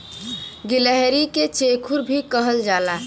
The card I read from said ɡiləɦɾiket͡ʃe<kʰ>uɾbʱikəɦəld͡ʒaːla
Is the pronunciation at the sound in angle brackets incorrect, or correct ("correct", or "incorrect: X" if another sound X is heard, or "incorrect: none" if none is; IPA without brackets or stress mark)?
correct